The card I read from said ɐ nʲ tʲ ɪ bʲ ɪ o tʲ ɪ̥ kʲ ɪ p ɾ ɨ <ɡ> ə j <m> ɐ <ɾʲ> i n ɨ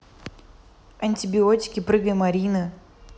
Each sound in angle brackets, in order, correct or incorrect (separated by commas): correct, correct, correct